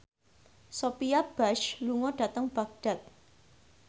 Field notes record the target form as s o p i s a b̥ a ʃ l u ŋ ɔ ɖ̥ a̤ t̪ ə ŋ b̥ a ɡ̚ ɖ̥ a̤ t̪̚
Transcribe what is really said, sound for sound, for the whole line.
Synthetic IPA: s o p i a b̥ a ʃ l u ŋ ɔ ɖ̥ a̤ t̪ ə ŋ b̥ a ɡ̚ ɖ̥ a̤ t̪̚